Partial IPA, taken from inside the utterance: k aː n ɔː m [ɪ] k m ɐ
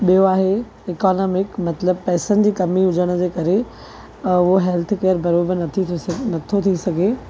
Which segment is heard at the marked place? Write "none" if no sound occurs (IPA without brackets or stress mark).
ɪ